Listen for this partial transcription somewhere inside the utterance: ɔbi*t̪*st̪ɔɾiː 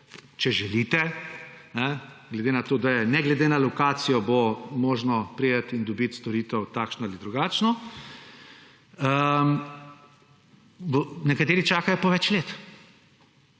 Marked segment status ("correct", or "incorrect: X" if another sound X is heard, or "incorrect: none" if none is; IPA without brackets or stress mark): correct